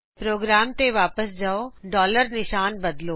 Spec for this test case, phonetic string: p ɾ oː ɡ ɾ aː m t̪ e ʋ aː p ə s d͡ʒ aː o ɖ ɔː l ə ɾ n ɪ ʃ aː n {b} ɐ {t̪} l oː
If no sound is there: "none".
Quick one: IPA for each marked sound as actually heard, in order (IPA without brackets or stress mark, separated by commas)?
b, d̪